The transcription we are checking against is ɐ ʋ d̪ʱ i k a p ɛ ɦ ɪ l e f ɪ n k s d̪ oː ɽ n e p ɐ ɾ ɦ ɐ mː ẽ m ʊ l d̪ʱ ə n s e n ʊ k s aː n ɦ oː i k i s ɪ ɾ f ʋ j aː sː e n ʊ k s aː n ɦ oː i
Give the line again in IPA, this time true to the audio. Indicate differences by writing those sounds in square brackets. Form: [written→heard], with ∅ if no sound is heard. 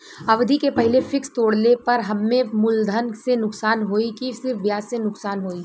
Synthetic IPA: ɐ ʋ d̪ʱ i k [a→e] p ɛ ɦ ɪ l e f ɪ [n→∅] k s [d̪→t̪] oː ɽ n e p ɐ ɾ ɦ ɐ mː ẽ m ʊ l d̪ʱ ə n s e n ʊ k s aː n ɦ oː i k i s ɪ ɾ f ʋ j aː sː e n ʊ k s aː n ɦ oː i